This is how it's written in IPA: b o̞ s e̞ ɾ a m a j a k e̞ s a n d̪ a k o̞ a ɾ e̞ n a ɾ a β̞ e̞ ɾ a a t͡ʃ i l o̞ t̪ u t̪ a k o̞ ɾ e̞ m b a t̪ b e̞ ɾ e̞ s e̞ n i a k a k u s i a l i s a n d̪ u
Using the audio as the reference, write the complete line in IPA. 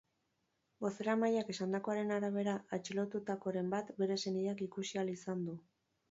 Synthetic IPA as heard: b o̞ s e̞ ɾ a m a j a k e̞ s a n d̪ a k o̞ a ɾ e̞ n a ɾ a β̞ e̞ ɾ a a t͡ʃ i l o̞ t̪ u t̪ a k o̞ ɾ e̞ m b a t̪ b e̞ ɾ e̞ s e̞ n i a k i k u s i a l i s a n d̪ u

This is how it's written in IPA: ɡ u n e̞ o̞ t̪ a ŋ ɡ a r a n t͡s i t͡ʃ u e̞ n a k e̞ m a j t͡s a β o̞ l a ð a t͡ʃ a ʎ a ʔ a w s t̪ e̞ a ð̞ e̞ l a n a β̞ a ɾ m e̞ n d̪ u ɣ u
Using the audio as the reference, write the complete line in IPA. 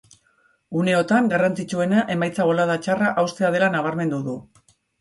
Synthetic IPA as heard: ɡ u n e̞ o̞ t̪ a ŋ ɡ a r a n t͡s i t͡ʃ u e̞ n a ʔ e̞ m a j t͡s a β o̞ l a ð a t͡ʃ a r a ʔ a w s t̪ e̞ a ð̞ e̞ l a n a β̞ a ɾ m e̞ n d̪ u ð u

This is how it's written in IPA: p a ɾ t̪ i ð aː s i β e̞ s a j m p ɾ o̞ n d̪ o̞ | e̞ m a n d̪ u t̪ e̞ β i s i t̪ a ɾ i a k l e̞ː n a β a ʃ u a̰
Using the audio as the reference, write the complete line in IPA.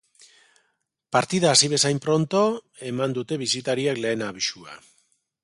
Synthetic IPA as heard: p a ɾ t̪ i ð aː s i β e̞ s a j m p ɾ o̞ n t̪ o̞ | e̞ m a n d̪ u t̪ e̞ β i s i t̪ a ɾ i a k l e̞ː n a β i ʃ u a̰

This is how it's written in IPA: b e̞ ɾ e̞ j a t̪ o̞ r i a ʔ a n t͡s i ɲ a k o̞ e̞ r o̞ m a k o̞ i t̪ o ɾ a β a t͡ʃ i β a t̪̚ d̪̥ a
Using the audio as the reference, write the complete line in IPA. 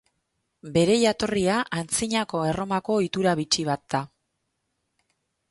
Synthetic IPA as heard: b e̞ ɾ e̞ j a t̪ o̞ r i a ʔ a n t͡s i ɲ a k o̞ e̞ r o̞ m a k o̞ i t̪ u ɾ a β i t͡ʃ i β a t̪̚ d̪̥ a

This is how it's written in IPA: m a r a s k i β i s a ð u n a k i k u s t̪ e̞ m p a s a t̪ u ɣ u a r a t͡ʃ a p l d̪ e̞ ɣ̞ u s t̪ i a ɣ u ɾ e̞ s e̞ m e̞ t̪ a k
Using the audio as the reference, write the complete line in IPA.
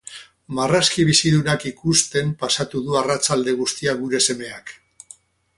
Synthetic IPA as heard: m a r a s k i β i s i ð u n a k i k u s t̪ e̞ m p a s a t̪ u ð u a r a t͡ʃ a l d̪ e̞ ɣ̞ u s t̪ i a ɣ u ɾ e̞ s e̞ m e̞ a k

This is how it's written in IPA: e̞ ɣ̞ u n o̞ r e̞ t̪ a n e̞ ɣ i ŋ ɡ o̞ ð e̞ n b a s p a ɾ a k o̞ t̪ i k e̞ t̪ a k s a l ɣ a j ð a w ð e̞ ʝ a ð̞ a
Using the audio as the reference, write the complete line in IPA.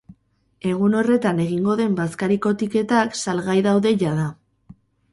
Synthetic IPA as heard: e̞ ɣ̞ u n o̞ r e̞ t̪ a n e̞ ɣ i ŋ ɡ o̞ ð e̞ m b a s k a ɾ i k o̞ t̪ i k e̞ t̪ a k s a l ɣ a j ð a w ð e̞ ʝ a ð̞ a

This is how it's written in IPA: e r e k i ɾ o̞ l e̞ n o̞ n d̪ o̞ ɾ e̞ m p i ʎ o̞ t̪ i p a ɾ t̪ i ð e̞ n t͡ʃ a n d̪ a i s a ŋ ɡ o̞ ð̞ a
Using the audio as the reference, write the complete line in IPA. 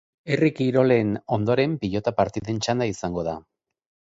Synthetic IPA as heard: e r i k i ɾ o̞ l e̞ n o̞ n d̪ o̞ ɾ e̞ m p i ʎ o̞ t̪ a p a ɾ t̪ i ð e̞ n t͡ʃ a n d̪ a i s a ŋ ɡ o̞ ð̞ a

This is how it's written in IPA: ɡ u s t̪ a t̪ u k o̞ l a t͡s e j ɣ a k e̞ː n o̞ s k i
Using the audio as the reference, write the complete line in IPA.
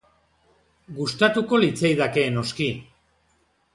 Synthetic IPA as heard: ɡ u s t̪ a t̪ u k o̞ l i t͡s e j ð a k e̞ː n o̞ s k i

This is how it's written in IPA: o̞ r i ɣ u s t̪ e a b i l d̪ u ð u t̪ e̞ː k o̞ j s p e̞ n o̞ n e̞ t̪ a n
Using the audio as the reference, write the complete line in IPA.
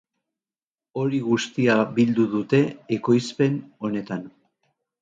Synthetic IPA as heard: o̞ ɾ i ɣ u s t̪ i a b i l d̪ u ð u t̪ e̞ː k o̞ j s p e̞ n o̞ n e̞ t̪ a n

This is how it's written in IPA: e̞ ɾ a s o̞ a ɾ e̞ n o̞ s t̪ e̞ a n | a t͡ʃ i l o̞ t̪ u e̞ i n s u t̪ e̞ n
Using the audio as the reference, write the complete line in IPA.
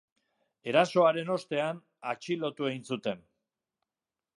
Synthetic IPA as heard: e̞ ɾ a s o̞ a ɾ e̞ n o̞ s t̪ e̞ a n | a t͡ʃ i l o̞ t̪ u e̞ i n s u t̪ e̞ n

